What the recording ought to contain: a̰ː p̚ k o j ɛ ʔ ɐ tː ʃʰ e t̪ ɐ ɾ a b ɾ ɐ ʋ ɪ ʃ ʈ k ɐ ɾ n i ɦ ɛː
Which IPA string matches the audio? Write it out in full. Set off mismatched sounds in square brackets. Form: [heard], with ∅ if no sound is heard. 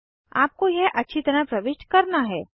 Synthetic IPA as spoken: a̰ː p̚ k o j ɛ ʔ ɐ tː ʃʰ [i] t̪ ɐ ɾ a [p] ɾ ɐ ʋ ɪ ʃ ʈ k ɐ ɾ n [a] ɦ ɛː